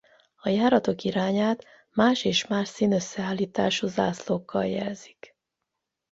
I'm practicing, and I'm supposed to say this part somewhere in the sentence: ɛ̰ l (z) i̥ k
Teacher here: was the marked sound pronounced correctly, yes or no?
yes